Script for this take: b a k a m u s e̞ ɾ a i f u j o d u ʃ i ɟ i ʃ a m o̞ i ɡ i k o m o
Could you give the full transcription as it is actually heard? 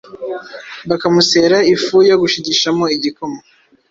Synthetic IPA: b a k a m u s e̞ ɾ a i f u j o ɡ u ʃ i ɟ i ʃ a m o̞ i ɟ i k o m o